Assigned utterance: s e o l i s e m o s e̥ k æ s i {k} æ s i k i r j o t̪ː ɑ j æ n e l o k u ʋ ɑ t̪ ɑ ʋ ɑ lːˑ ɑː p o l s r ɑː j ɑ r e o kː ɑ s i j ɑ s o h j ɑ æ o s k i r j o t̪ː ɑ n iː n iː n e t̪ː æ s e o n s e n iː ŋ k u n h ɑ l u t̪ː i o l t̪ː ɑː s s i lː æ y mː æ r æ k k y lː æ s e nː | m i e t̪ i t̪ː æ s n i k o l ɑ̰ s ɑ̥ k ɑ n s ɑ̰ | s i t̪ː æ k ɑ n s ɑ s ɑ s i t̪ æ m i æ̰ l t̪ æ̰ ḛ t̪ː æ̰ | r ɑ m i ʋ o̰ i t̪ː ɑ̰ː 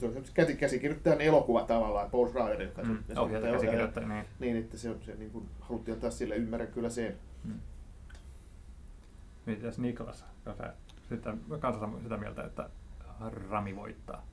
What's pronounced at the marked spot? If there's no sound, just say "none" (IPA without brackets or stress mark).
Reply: k